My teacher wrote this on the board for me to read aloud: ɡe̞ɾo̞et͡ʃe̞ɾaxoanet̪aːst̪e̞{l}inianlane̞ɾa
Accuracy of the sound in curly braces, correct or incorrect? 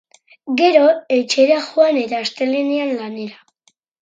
correct